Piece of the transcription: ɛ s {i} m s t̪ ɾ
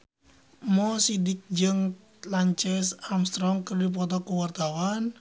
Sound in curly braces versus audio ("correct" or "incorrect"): incorrect